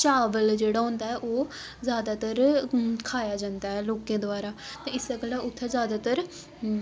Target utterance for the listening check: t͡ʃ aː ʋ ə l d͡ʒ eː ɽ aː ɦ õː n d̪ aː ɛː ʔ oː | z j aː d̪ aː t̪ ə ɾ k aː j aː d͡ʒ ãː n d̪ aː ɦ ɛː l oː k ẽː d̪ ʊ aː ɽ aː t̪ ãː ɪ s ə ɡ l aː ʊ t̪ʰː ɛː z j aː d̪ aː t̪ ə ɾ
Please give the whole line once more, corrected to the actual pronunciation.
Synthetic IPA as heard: t͡ʃ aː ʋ ə l d͡ʒ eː ɽ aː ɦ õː n d̪ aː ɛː ʔ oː | z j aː d̪ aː t̪ ə ɾ kʰ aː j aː d͡ʒ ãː n d̪ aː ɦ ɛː l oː k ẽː d̪ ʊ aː ɾ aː t̪ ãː ɪ s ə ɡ l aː ʊ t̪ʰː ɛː z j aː d̪ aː t̪ ə ɾ